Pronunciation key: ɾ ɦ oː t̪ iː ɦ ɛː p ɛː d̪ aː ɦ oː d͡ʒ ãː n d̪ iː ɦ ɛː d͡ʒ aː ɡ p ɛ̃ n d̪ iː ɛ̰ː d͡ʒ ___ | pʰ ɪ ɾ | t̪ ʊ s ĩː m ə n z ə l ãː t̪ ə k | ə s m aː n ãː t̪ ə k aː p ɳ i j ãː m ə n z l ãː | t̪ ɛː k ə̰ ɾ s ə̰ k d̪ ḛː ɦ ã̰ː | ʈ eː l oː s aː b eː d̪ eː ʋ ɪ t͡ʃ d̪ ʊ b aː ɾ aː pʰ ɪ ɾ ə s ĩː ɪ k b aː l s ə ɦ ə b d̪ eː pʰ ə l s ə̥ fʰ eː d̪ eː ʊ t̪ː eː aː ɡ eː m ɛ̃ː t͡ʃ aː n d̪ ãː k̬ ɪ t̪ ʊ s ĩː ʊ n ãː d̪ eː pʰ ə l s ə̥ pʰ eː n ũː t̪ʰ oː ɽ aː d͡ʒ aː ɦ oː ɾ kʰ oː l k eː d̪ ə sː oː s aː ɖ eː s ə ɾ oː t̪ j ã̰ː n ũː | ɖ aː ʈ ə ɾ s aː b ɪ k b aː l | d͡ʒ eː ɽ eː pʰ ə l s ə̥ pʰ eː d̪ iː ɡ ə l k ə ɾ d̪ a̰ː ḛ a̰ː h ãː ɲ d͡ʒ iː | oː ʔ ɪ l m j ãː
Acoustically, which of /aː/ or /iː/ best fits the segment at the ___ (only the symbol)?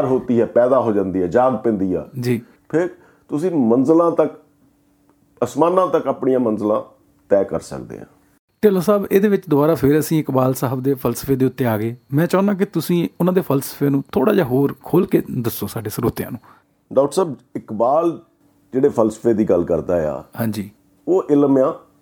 iː